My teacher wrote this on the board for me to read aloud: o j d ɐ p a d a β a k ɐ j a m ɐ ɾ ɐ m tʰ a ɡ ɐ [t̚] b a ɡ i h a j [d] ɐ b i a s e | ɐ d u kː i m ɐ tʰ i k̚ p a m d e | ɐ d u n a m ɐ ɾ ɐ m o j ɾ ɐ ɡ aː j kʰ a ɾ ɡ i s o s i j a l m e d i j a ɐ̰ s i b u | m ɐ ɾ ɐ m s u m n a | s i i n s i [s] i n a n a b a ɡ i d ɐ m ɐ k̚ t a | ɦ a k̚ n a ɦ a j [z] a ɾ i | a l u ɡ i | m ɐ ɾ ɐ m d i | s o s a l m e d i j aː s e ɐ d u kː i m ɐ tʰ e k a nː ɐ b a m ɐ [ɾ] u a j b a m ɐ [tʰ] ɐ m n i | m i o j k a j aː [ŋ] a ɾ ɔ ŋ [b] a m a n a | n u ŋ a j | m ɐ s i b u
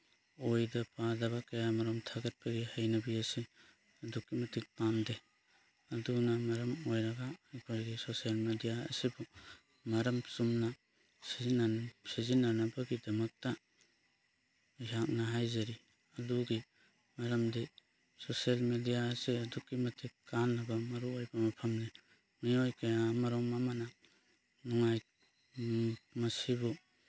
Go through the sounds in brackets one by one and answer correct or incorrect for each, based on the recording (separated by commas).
correct, incorrect, incorrect, correct, correct, incorrect, incorrect, incorrect